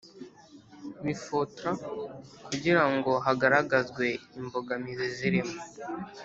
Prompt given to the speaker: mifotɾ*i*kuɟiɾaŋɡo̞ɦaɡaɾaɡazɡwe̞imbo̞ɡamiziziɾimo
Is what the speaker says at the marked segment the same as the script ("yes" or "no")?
no